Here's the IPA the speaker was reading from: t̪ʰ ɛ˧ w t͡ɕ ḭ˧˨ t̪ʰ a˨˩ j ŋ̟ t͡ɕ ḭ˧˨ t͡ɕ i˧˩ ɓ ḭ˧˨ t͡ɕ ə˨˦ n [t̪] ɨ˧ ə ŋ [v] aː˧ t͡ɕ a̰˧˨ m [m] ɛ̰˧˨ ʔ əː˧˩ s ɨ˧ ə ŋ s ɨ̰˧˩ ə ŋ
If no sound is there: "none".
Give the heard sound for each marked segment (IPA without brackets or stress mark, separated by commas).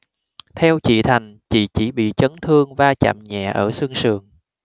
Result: t̪ʰ, v, ɲ